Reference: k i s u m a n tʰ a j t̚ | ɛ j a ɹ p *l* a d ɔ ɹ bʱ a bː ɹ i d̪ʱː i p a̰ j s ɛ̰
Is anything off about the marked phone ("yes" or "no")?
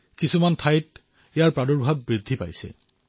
yes